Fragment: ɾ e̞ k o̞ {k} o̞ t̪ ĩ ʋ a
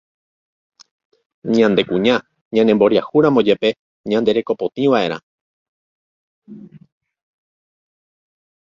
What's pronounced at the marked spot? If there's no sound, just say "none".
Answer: p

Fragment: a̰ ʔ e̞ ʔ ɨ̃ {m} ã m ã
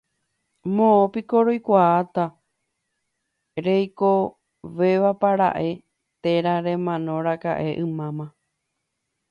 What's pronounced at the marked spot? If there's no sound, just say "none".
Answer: m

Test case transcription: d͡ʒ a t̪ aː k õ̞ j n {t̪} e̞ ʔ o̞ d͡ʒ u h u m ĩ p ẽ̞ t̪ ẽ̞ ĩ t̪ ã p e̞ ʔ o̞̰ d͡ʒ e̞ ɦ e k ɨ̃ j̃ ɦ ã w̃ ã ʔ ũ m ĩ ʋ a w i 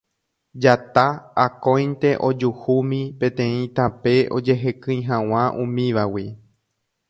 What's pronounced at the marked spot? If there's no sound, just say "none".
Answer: t̪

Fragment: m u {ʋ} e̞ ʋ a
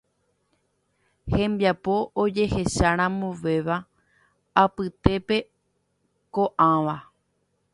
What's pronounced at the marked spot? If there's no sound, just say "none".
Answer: ʋ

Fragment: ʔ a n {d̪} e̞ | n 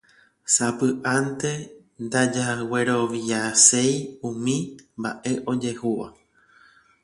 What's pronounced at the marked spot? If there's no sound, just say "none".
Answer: t̪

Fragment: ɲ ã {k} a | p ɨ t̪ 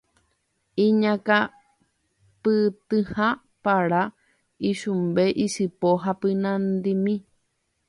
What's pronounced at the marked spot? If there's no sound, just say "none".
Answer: k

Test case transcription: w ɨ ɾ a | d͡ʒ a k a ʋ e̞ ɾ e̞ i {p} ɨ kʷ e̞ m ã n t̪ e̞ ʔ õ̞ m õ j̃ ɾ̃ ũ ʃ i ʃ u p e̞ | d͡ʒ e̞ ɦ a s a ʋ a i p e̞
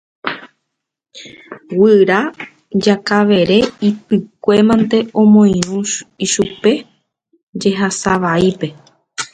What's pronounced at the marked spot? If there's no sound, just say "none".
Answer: p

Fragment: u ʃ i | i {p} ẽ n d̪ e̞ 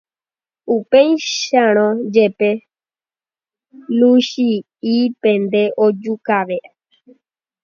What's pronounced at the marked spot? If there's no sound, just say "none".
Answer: p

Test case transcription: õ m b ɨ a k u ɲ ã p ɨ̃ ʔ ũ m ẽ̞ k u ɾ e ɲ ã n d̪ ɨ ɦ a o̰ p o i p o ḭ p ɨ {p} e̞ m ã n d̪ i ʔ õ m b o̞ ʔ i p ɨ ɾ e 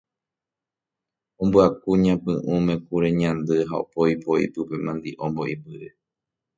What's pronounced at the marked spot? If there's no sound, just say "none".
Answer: p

